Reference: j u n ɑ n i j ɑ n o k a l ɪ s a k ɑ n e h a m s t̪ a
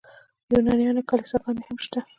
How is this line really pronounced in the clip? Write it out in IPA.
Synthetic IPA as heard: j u n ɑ n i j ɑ n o k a l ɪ s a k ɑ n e h a m ʃ t̪ a